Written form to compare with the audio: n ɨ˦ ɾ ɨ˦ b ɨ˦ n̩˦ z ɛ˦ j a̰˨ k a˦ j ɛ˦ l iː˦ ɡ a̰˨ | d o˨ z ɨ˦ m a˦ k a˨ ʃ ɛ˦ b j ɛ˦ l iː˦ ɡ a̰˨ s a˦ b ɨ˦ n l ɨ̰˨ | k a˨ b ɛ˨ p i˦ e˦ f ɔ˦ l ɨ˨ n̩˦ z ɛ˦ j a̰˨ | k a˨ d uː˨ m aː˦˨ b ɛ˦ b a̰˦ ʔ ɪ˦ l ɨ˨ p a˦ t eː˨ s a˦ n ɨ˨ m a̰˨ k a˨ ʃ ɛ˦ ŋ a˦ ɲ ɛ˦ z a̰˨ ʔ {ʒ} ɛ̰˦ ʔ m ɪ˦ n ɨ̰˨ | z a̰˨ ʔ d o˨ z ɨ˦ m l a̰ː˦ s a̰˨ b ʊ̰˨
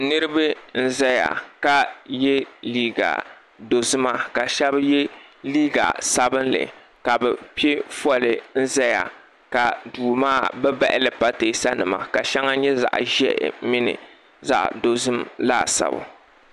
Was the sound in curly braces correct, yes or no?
yes